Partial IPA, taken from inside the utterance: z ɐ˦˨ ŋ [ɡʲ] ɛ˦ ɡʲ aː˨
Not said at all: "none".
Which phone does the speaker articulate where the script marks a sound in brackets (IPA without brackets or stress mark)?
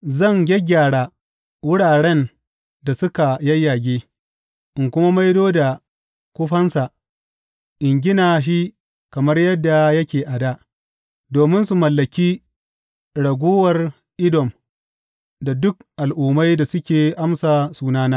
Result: ɡʲ